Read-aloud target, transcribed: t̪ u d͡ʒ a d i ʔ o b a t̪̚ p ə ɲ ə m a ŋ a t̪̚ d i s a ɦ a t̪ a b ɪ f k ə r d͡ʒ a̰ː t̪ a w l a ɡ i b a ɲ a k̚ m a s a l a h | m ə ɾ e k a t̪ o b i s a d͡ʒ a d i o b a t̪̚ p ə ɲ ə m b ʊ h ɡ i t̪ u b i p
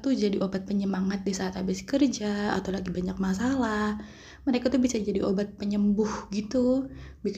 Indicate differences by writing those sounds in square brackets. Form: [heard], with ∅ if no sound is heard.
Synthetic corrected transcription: t̪ u d͡ʒ a d i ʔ o b a t̪̚ p ə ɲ ə m a ŋ a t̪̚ d i s a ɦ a t̪ a b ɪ [s] k ə r d͡ʒ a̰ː t̪ a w l a ɡ i b a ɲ a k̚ m a s a l a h | m ə ɾ e k a t̪ [u] b i s a d͡ʒ a d i o b a t̪̚ p ə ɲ ə m b ʊ h ɡ i t̪ u b i [k]